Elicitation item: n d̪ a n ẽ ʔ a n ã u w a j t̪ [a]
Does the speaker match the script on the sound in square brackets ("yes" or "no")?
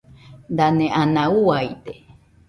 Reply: no